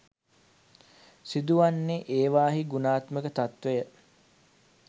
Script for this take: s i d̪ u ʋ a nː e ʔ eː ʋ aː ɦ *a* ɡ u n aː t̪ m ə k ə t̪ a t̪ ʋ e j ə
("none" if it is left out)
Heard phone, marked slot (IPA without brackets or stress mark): i